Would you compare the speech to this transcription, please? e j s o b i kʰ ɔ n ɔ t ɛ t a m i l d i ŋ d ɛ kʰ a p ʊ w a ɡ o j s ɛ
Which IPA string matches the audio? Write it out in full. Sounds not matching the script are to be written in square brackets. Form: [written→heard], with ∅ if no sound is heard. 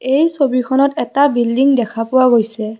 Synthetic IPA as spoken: e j s o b i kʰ ɔ n ɔ t ɛ t a [m→b] i l d i ŋ d ɛ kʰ a p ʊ w a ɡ o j s ɛ